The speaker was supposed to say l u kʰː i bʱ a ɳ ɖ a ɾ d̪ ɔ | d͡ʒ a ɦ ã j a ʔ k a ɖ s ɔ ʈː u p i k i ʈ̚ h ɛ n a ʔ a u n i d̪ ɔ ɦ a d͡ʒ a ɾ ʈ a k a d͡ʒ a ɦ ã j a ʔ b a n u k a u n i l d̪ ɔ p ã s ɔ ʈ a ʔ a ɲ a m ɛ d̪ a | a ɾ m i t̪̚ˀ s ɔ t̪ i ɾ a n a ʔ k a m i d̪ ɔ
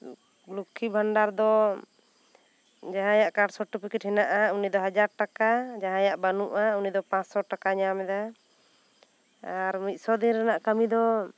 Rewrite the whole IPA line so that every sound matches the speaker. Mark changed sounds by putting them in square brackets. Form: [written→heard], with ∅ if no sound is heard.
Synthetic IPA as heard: l u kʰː i bʱ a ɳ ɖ a ɾ d̪ ɔ | d͡ʒ a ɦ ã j a ʔ k a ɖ s ɔ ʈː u p i k i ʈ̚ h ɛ n a ʔ a u n i d̪ ɔ ɦ a d͡ʒ a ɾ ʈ a k a d͡ʒ a ɦ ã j a ʔ b a n u [k→ʔ] a u n i [l→∅] d̪ ɔ p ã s ɔ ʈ a [ʔ→k] a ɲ a m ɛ d̪ a | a ɾ m i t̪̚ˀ s ɔ [t̪→d̪] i ɾ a n a ʔ k a m i d̪ ɔ